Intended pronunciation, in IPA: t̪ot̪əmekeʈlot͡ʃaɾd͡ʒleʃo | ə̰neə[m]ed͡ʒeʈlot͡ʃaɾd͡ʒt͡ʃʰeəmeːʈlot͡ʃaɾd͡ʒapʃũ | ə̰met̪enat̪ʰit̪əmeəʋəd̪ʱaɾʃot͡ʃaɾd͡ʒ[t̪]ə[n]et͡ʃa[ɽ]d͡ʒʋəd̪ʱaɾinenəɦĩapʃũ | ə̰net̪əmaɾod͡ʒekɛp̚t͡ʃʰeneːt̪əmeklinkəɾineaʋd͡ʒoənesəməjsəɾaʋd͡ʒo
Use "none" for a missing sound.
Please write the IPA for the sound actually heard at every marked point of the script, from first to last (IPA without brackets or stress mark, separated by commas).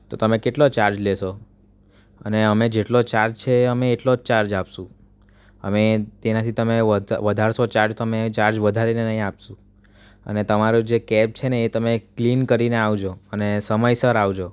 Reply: m, t̪, m, ɾ